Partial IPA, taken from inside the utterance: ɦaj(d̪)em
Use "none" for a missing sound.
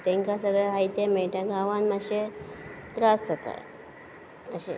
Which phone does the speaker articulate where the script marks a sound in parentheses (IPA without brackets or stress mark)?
t̪